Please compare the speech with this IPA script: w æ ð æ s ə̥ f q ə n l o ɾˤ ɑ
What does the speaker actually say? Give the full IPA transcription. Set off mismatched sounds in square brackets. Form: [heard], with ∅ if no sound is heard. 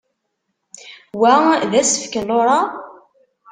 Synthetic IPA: w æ ð æ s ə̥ f [k] ə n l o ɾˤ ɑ